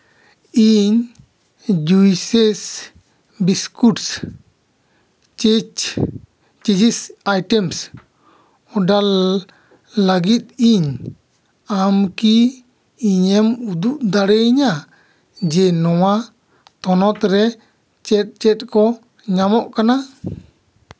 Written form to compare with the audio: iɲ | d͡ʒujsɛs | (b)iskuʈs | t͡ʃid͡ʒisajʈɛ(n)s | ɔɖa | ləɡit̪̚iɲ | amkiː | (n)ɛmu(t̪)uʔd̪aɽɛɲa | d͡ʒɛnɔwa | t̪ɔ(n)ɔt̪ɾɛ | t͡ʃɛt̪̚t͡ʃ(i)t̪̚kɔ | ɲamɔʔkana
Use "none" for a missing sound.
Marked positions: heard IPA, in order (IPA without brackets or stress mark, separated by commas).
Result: b, m, ɲ, d̪, n, ɛ